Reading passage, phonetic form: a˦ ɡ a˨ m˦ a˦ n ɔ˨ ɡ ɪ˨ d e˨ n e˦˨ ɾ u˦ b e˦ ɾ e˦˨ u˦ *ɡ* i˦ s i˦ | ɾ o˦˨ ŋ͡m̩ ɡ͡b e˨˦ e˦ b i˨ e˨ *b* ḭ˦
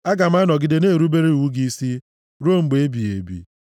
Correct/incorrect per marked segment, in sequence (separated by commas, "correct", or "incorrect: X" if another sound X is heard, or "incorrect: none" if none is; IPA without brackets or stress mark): correct, correct